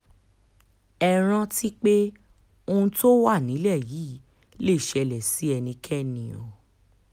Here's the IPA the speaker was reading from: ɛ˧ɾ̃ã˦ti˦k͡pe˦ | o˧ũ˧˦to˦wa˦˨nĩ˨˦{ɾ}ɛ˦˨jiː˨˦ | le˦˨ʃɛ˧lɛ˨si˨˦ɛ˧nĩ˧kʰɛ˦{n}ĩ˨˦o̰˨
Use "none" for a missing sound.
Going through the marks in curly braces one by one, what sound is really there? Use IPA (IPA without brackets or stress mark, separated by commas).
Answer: l, n